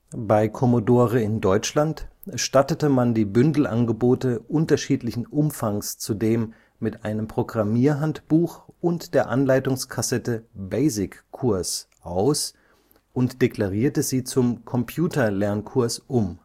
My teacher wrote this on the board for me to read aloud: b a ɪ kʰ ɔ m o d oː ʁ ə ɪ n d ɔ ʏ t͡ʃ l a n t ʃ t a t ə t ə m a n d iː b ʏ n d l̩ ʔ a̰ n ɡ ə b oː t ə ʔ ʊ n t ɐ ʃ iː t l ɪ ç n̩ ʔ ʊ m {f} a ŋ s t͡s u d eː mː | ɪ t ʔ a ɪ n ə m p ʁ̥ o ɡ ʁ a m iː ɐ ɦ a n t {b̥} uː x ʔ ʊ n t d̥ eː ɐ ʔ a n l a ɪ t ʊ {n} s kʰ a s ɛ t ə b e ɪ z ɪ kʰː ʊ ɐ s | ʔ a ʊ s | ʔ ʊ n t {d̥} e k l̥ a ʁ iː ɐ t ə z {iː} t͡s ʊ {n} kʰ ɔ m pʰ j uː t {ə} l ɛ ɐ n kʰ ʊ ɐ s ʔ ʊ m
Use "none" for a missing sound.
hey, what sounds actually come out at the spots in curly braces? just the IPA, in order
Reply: f, b̥, ŋ, d̥, iː, m, ɐ

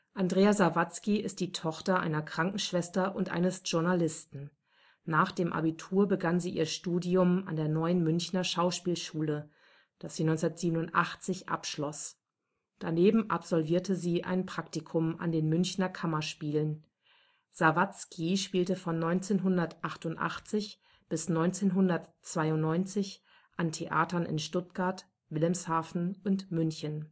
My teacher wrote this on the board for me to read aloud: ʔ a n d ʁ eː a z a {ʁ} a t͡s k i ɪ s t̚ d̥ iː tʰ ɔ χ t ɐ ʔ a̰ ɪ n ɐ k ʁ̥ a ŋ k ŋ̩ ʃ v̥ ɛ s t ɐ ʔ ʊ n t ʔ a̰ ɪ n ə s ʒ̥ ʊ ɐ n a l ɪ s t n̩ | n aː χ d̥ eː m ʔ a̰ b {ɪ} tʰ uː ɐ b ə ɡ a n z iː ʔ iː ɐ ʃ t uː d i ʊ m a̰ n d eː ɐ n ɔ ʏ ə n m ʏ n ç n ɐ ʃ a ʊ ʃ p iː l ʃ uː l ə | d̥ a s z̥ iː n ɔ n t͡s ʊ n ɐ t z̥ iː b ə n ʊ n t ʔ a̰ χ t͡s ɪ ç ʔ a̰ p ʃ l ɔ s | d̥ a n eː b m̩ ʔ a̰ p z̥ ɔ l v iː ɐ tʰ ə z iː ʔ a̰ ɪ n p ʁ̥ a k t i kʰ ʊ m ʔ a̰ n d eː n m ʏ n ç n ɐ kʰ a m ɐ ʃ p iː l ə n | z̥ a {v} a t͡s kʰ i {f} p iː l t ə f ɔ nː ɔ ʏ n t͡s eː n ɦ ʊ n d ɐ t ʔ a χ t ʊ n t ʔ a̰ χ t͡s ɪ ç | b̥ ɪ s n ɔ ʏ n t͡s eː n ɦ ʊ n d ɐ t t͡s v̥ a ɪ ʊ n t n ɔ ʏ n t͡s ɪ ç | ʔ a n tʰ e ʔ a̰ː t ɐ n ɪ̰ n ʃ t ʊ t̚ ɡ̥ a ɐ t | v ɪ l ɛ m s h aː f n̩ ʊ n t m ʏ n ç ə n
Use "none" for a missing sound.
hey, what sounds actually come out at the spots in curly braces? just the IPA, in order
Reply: v, i, v, ʃ

